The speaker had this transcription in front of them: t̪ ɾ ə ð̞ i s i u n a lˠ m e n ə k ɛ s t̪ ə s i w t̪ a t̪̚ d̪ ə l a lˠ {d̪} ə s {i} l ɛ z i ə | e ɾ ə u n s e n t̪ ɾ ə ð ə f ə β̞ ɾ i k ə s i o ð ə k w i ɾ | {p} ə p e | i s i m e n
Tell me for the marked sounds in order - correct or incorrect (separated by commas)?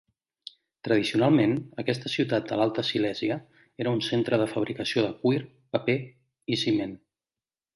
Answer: incorrect, correct, correct